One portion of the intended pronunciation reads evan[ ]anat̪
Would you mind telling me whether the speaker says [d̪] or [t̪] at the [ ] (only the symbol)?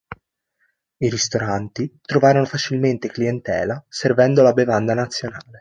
d̪